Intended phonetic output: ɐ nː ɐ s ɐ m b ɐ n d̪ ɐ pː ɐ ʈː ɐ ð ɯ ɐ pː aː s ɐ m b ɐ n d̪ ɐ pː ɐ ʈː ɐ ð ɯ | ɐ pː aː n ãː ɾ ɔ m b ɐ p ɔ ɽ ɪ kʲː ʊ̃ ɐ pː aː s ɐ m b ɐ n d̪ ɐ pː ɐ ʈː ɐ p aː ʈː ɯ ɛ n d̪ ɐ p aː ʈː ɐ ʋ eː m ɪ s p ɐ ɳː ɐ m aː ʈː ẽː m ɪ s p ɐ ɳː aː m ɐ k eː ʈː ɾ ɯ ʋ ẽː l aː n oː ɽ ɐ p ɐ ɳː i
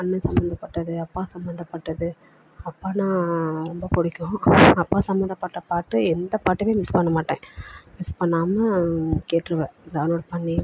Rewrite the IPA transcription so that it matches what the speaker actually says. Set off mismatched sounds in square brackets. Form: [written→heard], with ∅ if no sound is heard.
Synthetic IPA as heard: ɐ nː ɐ s ɐ m b ɐ n d̪ ɐ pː ɐ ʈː ɐ ð ɯ ɐ pː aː s ɐ m b ɐ n d̪ ɐ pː ɐ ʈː ɐ ð ɯ | ɐ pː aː n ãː ɾ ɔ m b ɐ p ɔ ɽ ɪ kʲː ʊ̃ ɐ pː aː s ɐ m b ɐ n d̪ ɐ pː ɐ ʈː ɐ p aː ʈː ɯ ɛ n d̪ ɐ p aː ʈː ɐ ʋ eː m ɪ s p ɐ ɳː ɐ m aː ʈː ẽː m ɪ s p ɐ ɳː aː m ɐ k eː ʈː ɾ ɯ ʋ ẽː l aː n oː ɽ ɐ p ɐ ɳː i